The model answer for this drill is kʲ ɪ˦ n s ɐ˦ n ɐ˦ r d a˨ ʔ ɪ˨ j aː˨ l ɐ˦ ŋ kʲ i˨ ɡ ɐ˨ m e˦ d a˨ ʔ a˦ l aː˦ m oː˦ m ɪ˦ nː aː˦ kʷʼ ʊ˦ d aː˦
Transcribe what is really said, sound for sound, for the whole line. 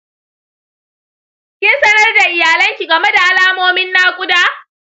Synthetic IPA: kʲ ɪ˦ n s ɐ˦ n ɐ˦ r d a˨ ʔ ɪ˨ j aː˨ l ɐ˦ ŋ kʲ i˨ ɡ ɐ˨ m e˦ d a˨ ʔ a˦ l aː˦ m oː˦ m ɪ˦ nː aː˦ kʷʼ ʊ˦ d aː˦

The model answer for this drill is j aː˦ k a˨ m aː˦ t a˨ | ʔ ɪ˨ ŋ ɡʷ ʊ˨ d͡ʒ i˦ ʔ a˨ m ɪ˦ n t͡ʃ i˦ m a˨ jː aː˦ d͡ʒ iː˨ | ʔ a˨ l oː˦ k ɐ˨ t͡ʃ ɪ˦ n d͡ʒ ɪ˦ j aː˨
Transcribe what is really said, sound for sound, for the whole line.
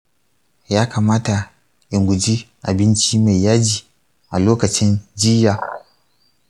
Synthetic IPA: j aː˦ k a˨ m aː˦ t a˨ | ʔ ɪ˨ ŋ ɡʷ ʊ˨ d͡ʒ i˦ ʔ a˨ b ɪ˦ n t͡ʃ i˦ m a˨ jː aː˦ d͡ʒ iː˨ | ʔ a˨ l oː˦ k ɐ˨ t͡ʃ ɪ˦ n d͡ʒ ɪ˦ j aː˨

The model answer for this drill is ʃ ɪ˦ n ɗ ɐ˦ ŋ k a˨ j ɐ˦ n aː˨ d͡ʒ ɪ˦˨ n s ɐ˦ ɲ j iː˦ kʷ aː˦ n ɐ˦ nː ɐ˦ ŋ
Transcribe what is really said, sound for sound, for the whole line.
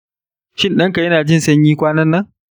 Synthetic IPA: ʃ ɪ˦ n ɗ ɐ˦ ŋ k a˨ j ɐ˦ n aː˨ d͡ʒ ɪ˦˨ n s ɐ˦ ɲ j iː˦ kʷ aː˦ n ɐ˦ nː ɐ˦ ŋ

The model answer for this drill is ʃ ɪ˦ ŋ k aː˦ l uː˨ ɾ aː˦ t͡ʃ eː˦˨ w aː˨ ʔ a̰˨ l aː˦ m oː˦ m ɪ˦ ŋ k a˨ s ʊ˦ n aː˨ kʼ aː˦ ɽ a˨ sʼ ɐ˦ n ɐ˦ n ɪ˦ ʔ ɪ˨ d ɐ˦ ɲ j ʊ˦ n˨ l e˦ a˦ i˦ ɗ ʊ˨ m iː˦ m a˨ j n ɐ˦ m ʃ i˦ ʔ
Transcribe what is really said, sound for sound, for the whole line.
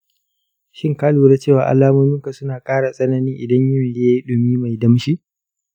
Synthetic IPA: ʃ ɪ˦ ŋ k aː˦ l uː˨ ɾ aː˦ t͡ʃ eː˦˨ w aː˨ ʔ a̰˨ l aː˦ m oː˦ m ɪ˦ ŋ k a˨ s ʊ˦ n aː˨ kʼ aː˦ ɽ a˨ sʼ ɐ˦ n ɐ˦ n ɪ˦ ʔ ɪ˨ d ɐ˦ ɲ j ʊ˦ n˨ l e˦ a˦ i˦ ɗ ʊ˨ m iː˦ m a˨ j d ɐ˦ m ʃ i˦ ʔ

